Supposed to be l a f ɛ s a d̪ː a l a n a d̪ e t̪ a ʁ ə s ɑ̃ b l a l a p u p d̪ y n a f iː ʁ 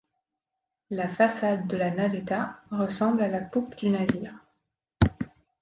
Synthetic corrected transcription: l a f a s a d̪ː ə l a n a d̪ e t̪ a ʁ ə s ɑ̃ b l a l a p u p d̪ y n a v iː ʁ